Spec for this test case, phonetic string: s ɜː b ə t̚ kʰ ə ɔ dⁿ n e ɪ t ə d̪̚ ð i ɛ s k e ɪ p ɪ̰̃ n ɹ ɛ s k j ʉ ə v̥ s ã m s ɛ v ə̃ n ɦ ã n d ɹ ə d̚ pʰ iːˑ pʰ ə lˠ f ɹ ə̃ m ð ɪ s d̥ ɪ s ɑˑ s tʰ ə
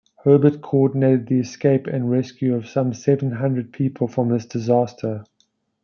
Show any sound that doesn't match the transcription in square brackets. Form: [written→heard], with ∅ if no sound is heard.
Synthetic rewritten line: [s→h] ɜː b ə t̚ kʰ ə ɔ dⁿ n e ɪ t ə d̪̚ ð i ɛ s k e ɪ p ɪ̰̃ n ɹ ɛ s k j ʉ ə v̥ s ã m s ɛ v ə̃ n ɦ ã n d ɹ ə d̚ pʰ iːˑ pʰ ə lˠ f ɹ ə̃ m ð ɪ s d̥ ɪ [s→z] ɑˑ s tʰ ə